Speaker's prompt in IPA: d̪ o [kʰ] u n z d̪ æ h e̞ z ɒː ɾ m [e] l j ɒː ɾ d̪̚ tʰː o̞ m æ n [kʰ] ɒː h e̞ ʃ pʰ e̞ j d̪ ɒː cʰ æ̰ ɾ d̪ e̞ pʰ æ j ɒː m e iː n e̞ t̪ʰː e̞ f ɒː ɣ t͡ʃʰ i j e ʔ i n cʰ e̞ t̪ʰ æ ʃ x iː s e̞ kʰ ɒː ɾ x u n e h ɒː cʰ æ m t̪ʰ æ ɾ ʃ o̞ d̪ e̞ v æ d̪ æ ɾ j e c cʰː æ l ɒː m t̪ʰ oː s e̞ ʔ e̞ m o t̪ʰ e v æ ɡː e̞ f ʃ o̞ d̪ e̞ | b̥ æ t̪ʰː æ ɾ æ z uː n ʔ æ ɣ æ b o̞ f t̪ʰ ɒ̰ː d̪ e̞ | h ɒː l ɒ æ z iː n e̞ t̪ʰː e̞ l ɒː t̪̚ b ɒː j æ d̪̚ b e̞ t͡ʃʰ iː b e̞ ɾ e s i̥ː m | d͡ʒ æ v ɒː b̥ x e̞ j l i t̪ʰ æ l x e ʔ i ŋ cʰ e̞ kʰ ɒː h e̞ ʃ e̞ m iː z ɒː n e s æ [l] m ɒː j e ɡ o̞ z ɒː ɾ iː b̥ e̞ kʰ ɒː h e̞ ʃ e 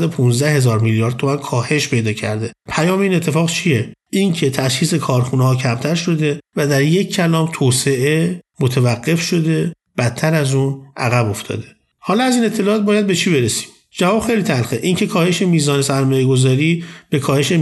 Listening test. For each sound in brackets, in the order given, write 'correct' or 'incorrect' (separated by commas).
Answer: incorrect, incorrect, correct, incorrect